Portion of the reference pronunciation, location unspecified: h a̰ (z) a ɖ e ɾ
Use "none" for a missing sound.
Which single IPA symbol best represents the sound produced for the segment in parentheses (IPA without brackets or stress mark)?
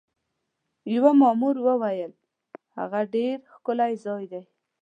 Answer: ɣ